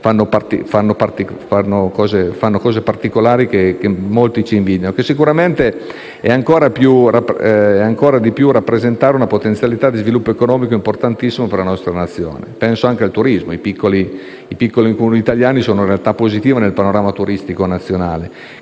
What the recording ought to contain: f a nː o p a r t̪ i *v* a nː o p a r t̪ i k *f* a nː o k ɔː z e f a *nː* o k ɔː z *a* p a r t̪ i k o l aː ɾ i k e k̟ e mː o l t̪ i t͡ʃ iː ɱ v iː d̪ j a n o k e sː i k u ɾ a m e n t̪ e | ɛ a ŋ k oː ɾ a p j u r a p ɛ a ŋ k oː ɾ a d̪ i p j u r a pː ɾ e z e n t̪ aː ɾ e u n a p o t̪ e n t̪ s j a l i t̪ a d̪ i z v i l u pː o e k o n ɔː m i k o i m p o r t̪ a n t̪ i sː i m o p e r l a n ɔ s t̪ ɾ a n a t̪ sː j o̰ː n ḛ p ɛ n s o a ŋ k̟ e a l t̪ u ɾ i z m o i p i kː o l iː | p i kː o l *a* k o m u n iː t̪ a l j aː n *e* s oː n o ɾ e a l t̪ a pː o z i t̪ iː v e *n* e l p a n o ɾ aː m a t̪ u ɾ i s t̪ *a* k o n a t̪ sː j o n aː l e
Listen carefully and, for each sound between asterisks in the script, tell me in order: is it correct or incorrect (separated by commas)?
incorrect, correct, correct, incorrect, incorrect, incorrect, correct, incorrect